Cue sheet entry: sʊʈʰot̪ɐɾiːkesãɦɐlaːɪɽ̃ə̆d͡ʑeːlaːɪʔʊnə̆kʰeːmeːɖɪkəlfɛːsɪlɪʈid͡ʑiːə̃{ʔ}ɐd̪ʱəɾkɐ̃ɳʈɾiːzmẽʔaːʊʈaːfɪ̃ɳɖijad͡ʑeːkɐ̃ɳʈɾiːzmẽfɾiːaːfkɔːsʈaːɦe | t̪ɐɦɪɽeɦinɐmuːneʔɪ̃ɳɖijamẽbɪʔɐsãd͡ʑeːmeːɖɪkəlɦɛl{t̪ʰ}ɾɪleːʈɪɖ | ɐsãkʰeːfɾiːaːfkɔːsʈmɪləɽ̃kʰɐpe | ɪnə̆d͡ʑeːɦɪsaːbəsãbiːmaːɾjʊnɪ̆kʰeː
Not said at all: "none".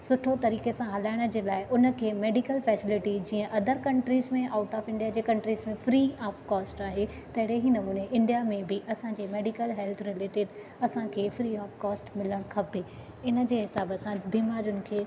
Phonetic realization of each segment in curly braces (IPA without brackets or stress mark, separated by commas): ʔ, t̪ʰ